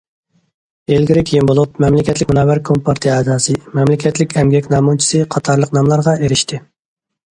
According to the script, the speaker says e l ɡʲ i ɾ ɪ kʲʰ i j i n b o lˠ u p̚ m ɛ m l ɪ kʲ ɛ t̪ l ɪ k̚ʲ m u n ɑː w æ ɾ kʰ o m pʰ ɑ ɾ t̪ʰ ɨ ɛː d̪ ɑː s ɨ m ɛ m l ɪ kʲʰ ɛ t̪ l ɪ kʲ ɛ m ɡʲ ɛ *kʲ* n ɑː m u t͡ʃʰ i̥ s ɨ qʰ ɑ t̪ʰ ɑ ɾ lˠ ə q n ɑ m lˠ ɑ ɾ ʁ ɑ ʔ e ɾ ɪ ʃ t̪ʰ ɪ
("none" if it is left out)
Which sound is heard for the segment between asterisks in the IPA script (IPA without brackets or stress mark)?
kʲ